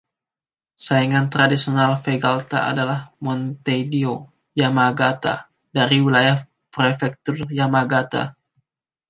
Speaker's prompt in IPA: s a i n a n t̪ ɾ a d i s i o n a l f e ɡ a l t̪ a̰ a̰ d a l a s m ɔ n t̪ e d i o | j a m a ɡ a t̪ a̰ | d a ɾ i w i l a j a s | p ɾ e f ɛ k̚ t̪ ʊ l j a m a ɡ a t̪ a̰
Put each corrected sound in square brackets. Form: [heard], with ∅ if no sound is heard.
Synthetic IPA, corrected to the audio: s a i [ŋ] a n t̪ ɾ a d i s i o n a l f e ɡ a l t̪ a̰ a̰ d a l a [h] m ɔ n t̪ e d i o | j a m a ɡ a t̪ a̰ | d a ɾ i w i l a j a [h] | p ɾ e f ɛ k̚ t̪ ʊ [r] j a m a ɡ a t̪ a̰